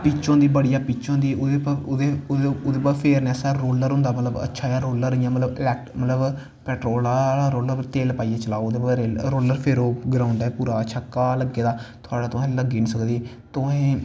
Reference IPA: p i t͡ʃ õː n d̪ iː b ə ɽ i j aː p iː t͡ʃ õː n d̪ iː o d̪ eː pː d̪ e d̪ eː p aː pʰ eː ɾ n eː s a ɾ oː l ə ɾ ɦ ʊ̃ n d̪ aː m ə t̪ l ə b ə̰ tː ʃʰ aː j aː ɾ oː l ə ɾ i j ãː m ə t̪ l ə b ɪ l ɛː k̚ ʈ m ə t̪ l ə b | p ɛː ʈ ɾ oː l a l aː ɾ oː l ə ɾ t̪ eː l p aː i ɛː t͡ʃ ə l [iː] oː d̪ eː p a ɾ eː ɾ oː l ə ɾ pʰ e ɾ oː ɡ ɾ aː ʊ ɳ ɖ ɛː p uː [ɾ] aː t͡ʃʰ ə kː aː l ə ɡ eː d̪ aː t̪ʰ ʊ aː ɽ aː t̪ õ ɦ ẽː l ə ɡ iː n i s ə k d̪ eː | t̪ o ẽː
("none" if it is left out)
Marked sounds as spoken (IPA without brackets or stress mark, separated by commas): aː, ɾ